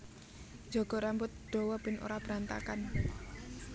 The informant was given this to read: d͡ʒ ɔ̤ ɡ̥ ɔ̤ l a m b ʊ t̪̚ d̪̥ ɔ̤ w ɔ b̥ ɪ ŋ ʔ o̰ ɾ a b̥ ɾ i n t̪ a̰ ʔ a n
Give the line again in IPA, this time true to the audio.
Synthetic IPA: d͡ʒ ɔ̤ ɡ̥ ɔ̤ ɾ a m b ʊ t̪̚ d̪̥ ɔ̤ w ɔ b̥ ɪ n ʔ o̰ ɾ a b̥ ɾ a n t̪ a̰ k a n